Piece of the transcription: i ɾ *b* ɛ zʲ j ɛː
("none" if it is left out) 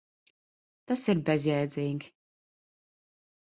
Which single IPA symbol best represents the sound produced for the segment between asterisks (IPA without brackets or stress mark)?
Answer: b